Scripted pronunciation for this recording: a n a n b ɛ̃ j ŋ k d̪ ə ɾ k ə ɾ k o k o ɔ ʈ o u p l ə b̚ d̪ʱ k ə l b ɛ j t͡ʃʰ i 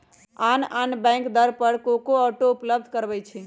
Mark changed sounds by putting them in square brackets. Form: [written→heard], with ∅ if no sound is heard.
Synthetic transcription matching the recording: a n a n b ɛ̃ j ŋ k d̪ ə ɾ [k→p] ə ɾ k o k o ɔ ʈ o u p l ə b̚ d̪ʱ k ə [l→ɾ] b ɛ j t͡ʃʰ i